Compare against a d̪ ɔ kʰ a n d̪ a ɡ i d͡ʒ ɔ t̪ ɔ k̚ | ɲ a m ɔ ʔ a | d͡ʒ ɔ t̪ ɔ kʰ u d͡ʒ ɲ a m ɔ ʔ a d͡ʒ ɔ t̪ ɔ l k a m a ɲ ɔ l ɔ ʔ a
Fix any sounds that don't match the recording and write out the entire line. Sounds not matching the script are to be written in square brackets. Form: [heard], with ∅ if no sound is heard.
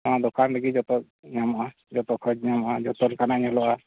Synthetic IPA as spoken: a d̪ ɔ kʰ a n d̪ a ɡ i d͡ʒ ɔ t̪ ɔ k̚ | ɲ a m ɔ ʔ a | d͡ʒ ɔ t̪ ɔ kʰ [ɔ] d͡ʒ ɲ a m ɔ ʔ a d͡ʒ ɔ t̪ ɔ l k a [n] a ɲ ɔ l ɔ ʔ a

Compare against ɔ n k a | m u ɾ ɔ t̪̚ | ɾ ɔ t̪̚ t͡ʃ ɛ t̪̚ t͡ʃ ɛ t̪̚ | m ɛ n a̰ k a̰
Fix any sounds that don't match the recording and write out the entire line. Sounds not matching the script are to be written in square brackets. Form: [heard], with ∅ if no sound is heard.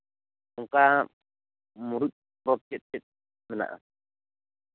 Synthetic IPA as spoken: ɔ [ŋ] k a | m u ɾ [u] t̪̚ | ɾ ɔ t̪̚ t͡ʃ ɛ t̪̚ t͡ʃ ɛ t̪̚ | m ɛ n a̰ [ʔ] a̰

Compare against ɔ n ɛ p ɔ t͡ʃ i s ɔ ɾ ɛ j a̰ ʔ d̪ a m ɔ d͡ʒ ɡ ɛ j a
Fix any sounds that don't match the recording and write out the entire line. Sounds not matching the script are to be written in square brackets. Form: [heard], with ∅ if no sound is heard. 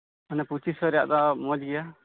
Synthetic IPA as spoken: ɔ n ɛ p [u] t͡ʃ i s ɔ ɾ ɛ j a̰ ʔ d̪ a m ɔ d͡ʒ ɡ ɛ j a

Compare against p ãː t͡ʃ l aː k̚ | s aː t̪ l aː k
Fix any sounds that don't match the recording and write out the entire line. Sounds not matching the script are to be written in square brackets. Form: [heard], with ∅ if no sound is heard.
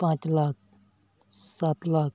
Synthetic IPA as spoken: p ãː t͡ʃ l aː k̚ | s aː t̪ l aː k

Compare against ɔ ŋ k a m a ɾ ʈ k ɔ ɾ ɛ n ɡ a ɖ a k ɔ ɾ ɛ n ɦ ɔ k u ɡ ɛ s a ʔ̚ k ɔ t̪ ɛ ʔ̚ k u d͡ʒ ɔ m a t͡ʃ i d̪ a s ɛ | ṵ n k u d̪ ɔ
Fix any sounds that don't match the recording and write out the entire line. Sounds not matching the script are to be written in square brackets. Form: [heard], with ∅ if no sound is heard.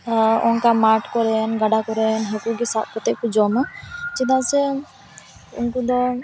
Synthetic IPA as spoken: ɔ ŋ k a m a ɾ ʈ k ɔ ɾ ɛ n ɡ a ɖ a k ɔ ɾ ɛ n ɦ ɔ k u ɡ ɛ s a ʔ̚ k ɔ t̪ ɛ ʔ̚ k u d͡ʒ ɔ m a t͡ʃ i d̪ a s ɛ | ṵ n k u d̪ ɔ

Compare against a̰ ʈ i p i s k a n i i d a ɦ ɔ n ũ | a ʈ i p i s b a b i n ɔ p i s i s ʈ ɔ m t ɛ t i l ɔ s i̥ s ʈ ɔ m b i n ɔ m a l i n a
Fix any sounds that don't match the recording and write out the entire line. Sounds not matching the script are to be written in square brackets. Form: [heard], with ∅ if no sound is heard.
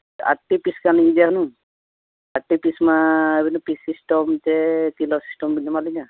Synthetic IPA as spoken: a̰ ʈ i p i s k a n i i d a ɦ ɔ n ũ | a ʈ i p i s [m] a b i n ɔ p i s i s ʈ ɔ m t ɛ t i l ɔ s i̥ s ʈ ɔ m b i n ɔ m a l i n a

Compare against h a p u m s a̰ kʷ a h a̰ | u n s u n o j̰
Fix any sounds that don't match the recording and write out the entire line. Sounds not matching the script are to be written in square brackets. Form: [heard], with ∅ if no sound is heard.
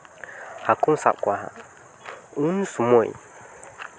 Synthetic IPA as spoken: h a [k] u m s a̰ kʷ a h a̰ | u n s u [m] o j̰

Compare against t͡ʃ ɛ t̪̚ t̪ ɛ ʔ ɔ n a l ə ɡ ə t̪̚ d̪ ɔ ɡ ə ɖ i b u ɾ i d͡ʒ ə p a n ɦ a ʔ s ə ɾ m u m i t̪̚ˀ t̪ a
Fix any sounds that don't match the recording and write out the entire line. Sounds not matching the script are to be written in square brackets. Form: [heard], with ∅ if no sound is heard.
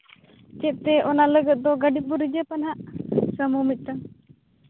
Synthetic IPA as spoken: t͡ʃ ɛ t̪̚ t̪ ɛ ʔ ɔ n a l ə ɡ ə t̪̚ d̪ ɔ ɡ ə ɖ i b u ɾ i d͡ʒ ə p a n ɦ a ʔ s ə [∅] m u m i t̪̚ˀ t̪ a

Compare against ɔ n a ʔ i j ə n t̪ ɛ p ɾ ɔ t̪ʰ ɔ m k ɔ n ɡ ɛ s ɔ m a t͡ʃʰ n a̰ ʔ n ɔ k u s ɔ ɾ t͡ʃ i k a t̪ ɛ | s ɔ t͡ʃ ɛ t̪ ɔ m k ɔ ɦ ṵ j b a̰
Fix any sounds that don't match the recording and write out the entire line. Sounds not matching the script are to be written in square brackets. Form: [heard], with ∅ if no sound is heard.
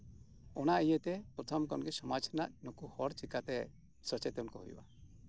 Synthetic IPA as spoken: ɔ n a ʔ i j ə [∅] t̪ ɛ p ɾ ɔ t̪ʰ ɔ m k ɔ n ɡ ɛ s ɔ m a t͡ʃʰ n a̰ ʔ n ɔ k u [h] ɔ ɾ t͡ʃ i k a t̪ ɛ | s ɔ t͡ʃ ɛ t̪ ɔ [n] k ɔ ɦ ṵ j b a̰

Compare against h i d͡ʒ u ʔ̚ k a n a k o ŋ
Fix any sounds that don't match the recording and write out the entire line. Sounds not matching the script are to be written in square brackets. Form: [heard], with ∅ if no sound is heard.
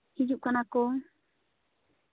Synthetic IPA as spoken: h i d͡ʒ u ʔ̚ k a n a k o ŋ

